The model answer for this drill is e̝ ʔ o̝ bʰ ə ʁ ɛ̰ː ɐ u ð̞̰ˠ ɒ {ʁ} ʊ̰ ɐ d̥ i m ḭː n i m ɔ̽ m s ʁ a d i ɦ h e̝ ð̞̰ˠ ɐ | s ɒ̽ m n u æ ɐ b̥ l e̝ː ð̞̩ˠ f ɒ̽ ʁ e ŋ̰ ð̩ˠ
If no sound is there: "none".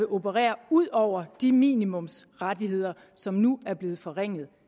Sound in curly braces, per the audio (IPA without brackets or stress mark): none